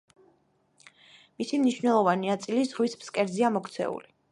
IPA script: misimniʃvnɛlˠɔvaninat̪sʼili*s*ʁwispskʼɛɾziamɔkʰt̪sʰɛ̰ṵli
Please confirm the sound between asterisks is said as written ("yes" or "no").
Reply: no